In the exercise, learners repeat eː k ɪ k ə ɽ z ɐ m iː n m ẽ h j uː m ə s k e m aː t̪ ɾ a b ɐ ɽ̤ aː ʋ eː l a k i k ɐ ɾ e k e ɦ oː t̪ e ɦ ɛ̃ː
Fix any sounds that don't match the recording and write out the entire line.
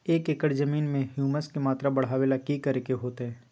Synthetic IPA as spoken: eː k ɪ k ə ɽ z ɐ m iː n m ẽ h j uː m ə s k e m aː t̪ ɾ a b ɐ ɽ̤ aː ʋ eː l a k i k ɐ ɾ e k e ɦ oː t̪ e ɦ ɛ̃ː